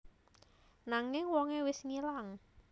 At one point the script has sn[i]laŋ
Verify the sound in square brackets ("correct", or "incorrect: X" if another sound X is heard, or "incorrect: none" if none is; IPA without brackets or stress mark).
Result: correct